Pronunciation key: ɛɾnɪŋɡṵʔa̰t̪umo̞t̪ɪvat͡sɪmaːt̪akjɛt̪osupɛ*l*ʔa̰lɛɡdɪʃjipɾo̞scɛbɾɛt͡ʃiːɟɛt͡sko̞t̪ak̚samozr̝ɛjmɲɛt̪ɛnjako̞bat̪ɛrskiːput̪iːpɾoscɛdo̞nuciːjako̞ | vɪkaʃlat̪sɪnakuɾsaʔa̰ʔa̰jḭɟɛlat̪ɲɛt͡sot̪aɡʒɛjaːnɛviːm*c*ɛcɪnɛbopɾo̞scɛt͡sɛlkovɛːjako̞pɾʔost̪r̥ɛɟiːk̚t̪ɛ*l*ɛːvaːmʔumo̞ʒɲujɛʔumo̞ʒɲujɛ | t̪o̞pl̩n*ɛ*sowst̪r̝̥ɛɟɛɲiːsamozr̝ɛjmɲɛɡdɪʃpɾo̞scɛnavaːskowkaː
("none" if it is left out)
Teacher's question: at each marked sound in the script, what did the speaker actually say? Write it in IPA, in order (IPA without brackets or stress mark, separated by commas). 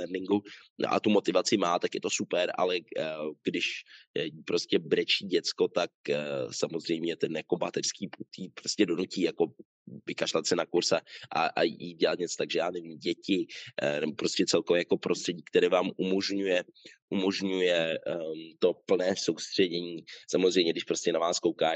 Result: ɾ, ɟ, ɾ, ɛː